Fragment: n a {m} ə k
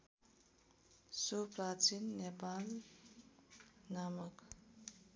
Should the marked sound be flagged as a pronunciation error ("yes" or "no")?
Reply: no